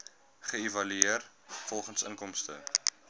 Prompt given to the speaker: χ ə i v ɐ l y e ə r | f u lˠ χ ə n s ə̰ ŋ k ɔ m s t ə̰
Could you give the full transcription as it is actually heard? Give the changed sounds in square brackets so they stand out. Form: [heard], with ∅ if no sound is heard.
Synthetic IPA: χ ə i v ɐ l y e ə r | f [ɔ] lˠ χ ə n s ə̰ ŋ k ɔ m s t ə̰